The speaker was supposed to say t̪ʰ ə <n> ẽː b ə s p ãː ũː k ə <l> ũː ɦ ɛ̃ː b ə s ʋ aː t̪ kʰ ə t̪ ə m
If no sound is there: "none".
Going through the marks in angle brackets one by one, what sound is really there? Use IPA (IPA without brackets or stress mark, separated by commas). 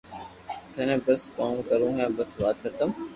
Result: n, ɾ